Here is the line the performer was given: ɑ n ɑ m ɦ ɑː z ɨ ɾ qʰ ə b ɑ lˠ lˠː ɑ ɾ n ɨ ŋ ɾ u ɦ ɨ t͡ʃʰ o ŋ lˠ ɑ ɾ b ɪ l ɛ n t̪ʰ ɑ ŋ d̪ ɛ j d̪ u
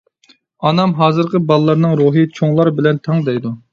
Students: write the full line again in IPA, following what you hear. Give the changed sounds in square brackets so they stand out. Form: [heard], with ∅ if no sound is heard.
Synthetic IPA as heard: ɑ n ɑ m ɦ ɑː z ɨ ɾ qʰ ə b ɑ lˠ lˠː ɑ ɾ n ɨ ŋ ɾ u ɦ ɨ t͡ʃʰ o ŋ lˠ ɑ ɾ b ɪ l ɛ n t̪ʰ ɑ ŋ d̪ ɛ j d̪ u